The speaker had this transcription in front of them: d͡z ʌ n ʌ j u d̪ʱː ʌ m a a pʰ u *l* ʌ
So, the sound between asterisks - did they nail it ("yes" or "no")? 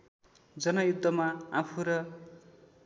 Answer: no